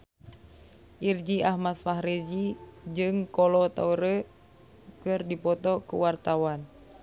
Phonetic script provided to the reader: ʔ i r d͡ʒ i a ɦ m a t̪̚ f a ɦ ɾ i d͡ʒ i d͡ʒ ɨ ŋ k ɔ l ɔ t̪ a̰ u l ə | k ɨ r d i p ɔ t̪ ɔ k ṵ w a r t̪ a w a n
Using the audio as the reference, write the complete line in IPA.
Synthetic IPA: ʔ i r d͡ʒ i a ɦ m a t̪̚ f a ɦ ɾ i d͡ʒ i d͡ʒ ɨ ŋ k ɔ l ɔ t̪ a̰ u ɾ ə | k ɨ r d i p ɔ t̪ ɔ k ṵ w a r t̪ a w a n